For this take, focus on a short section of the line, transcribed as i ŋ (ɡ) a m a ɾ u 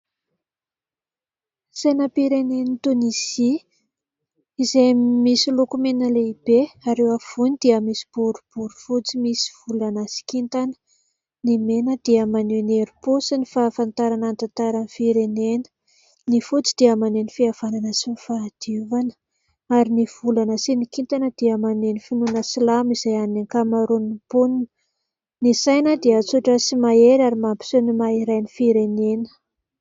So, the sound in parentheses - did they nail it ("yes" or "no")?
no